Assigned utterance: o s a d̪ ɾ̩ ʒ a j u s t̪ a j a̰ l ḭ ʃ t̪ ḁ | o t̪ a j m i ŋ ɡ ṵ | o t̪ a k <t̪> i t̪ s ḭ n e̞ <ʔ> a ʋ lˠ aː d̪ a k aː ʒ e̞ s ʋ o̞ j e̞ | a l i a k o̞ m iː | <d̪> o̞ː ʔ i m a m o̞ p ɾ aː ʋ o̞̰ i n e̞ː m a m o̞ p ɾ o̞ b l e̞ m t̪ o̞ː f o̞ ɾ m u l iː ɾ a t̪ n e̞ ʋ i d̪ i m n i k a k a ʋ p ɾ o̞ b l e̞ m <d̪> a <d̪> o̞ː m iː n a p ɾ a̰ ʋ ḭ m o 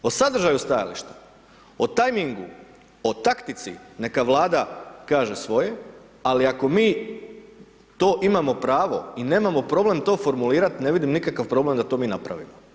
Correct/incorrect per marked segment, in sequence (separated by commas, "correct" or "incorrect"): correct, incorrect, incorrect, correct, incorrect